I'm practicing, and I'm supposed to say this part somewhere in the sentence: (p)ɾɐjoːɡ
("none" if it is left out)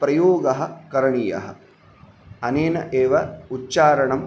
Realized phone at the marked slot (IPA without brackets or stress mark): p